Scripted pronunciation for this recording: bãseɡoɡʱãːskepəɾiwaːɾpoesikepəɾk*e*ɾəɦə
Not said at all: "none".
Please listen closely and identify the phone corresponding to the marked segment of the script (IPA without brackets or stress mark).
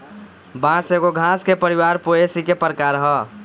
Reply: a